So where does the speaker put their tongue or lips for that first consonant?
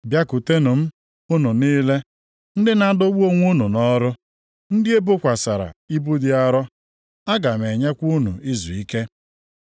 lips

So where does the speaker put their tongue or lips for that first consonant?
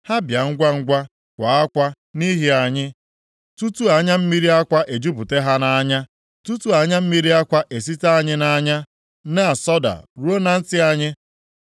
throat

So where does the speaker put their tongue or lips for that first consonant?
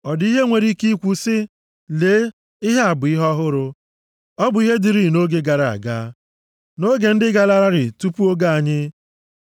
tongue tip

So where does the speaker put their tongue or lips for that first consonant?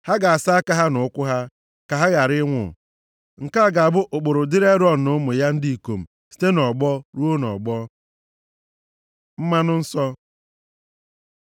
throat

